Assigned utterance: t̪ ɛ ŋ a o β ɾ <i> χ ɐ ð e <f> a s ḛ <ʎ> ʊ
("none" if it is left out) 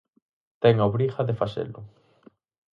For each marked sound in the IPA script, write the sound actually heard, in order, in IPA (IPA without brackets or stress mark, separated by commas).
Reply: i, f, l